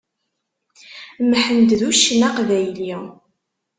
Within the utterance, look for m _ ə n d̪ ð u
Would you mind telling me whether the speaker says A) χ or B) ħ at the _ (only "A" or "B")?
B